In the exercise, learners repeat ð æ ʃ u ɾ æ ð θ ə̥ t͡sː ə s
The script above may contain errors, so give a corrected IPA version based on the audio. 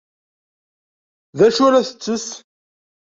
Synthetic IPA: ð æ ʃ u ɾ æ θ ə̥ t͡sː ə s